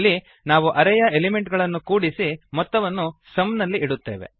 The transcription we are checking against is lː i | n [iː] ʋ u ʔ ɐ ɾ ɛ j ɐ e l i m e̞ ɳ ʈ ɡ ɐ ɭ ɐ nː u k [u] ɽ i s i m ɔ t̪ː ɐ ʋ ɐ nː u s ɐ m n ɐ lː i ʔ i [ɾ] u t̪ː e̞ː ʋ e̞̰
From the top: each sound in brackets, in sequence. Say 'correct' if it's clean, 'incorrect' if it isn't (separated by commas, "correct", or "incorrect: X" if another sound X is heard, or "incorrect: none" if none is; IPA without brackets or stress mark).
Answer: incorrect: aː, incorrect: uː, incorrect: ɽ